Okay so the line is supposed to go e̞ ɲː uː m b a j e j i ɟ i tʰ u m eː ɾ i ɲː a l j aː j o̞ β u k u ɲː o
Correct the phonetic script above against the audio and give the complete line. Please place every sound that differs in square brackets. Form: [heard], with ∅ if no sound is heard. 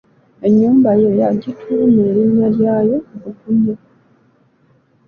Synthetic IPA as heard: e̞ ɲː uː m b a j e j [a] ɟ i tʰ u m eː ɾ i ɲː a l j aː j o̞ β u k u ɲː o